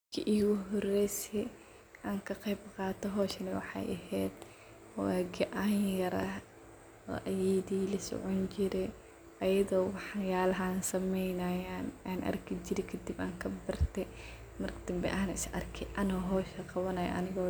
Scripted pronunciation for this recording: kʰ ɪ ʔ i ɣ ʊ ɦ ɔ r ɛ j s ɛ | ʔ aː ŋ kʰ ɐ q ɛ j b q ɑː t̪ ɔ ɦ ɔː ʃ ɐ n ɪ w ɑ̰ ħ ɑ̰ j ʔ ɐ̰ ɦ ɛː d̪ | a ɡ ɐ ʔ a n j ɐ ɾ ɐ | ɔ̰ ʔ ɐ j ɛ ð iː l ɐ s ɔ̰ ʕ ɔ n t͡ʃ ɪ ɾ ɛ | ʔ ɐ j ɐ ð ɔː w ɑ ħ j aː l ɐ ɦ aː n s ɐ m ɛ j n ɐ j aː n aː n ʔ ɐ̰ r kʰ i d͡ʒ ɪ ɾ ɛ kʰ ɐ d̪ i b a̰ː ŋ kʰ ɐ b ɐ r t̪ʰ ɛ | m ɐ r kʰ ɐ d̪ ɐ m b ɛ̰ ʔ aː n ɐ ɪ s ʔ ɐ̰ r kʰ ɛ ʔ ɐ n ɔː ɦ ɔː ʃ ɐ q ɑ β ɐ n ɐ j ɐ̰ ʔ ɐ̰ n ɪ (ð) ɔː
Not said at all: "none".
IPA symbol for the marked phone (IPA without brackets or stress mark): ɣ